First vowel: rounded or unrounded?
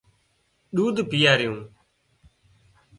rounded